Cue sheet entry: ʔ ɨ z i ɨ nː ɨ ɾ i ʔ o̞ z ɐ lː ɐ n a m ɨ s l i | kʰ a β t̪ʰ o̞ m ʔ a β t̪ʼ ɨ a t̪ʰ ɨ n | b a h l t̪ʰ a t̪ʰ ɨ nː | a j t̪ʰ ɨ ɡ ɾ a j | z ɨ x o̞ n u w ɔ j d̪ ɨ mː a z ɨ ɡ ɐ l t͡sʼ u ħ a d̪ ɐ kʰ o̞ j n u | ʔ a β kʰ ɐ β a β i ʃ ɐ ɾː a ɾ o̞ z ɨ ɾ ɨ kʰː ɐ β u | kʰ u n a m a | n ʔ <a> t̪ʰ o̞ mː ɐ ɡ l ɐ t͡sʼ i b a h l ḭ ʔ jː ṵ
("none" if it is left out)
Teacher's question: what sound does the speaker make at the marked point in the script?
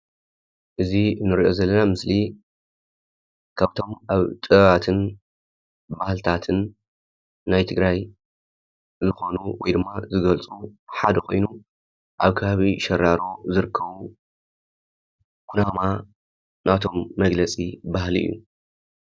a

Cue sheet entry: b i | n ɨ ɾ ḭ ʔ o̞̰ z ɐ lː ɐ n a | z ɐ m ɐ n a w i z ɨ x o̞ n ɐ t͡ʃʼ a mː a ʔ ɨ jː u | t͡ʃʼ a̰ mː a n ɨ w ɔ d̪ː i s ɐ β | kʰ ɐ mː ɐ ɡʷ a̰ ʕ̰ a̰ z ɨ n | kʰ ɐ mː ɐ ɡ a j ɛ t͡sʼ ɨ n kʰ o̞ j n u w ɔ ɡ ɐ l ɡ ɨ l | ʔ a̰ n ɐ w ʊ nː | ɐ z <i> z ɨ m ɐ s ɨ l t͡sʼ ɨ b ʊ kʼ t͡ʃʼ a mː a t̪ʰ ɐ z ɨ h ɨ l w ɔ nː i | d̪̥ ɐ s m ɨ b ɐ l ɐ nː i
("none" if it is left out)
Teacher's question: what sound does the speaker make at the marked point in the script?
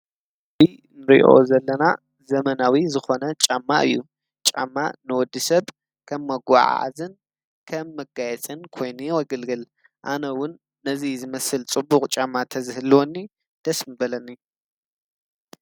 i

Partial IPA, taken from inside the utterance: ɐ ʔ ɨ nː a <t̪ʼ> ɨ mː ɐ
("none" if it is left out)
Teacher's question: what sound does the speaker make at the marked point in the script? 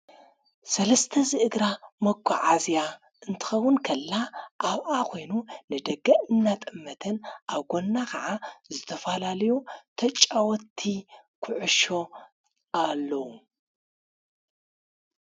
t̪ʼ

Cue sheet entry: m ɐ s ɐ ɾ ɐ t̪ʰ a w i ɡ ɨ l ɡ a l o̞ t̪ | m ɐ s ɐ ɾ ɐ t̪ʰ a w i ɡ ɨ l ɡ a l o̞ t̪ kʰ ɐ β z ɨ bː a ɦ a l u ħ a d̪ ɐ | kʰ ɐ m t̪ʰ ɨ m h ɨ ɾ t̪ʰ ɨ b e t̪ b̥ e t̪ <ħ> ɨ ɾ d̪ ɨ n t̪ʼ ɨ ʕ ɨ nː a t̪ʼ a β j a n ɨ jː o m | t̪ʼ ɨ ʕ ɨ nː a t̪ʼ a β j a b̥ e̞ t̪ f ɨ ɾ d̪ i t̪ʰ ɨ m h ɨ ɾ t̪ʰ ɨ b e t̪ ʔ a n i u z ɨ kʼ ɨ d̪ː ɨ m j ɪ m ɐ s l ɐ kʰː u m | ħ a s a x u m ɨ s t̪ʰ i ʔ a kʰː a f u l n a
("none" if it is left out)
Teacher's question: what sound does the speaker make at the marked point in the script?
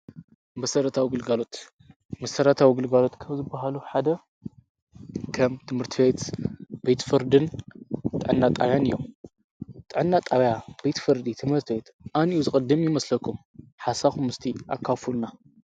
f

